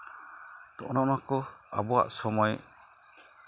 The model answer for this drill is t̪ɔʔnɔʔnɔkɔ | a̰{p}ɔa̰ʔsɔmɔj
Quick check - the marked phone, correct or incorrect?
incorrect